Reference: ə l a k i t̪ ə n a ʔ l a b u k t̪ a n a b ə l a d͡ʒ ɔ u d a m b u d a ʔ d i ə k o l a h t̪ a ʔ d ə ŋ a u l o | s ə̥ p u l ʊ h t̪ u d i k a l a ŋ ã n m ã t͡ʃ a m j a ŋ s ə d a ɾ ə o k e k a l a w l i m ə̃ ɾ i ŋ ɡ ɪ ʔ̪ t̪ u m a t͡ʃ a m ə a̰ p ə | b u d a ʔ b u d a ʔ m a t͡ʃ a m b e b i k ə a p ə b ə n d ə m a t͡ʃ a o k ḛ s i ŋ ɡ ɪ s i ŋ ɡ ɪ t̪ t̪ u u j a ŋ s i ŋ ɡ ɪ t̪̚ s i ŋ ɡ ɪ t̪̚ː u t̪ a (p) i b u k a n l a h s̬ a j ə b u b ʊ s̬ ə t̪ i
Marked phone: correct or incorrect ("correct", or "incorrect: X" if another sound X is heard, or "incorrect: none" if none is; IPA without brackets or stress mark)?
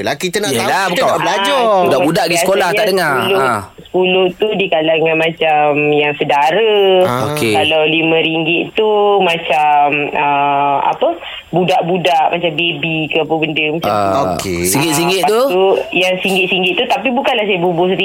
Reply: correct